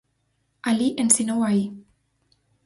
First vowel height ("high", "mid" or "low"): low